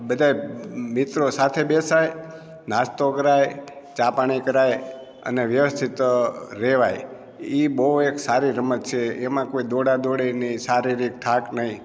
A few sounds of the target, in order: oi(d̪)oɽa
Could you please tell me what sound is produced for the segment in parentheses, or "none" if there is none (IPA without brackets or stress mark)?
d̪